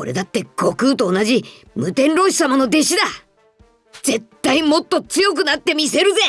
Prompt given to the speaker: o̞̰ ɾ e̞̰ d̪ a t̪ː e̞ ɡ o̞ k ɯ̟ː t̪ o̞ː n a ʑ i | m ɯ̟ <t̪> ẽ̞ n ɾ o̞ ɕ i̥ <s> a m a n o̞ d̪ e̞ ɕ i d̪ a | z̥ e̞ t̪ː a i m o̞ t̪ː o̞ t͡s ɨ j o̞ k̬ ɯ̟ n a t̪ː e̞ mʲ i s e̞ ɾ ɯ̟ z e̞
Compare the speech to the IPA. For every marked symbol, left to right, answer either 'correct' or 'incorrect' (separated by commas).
correct, correct